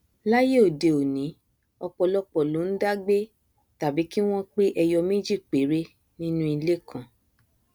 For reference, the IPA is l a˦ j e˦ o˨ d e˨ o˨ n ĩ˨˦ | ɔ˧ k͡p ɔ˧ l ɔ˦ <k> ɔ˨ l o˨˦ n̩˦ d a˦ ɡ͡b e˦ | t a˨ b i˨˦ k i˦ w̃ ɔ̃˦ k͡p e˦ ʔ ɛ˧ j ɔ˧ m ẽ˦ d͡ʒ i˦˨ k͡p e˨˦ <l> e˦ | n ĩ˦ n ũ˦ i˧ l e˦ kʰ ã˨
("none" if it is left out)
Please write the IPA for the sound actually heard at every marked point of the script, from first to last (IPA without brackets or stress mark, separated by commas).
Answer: k͡p, ɾ